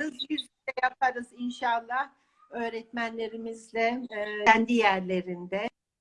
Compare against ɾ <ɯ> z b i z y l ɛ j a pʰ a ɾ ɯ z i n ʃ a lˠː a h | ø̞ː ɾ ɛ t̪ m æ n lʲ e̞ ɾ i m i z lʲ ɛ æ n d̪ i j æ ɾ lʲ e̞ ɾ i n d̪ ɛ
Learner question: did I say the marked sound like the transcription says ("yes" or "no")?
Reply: yes